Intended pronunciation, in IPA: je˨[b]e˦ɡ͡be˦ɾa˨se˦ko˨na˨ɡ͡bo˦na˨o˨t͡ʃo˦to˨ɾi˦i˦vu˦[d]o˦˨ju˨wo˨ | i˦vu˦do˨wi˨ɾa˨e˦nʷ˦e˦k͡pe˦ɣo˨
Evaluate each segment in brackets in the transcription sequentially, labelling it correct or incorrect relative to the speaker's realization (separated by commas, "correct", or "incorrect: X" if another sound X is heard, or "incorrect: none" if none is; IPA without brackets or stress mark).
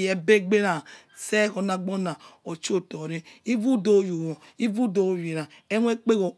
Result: correct, correct